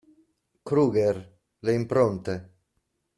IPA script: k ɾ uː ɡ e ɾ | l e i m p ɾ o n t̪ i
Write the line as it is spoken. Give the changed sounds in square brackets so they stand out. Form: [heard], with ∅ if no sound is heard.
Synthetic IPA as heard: k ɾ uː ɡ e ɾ | l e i m p ɾ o n t̪ [e]